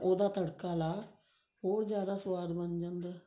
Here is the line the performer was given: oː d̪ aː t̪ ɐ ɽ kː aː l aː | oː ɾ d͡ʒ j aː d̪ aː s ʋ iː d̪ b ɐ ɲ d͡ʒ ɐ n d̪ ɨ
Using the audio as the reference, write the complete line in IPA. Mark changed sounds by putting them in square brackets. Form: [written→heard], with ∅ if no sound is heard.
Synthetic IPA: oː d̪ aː t̪ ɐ ɽ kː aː l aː | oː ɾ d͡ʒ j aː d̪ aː s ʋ [iː→aː] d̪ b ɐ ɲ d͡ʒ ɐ n d̪ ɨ